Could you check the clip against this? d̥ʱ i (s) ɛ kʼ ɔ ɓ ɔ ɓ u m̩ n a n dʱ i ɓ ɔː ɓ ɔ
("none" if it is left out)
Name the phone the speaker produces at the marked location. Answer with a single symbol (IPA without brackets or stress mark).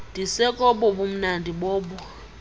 s